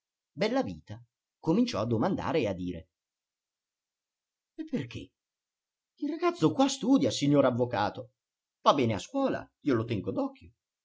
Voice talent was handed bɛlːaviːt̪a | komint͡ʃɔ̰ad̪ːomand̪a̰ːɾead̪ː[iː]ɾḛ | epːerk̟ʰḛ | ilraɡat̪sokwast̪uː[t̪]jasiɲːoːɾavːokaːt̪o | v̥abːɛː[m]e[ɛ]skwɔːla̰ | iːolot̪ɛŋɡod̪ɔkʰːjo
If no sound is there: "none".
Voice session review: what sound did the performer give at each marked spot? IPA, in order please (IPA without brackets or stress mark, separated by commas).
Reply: iː, d̪, n, a